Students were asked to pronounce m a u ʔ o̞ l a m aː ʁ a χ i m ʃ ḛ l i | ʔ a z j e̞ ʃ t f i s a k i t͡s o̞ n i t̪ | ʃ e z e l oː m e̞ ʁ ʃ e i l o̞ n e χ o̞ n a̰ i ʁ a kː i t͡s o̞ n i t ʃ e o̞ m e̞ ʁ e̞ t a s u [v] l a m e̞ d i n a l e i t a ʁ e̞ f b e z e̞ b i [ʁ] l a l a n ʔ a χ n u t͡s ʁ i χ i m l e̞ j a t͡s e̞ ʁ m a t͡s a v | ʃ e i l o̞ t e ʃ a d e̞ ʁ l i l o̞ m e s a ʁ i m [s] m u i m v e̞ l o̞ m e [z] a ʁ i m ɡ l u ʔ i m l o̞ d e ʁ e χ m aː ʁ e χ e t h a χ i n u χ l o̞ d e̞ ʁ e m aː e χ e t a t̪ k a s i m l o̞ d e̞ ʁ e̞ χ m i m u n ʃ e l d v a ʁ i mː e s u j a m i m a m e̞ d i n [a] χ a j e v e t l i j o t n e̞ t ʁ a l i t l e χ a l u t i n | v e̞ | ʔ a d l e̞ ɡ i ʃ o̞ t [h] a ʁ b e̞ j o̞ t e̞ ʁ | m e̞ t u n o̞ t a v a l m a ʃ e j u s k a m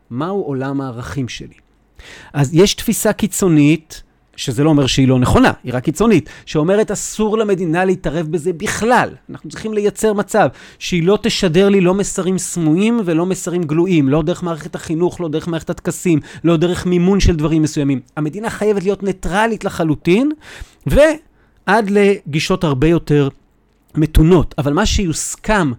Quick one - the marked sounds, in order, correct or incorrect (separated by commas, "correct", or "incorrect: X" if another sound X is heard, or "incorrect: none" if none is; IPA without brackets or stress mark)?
incorrect: ʁ, incorrect: χ, correct, incorrect: s, correct, correct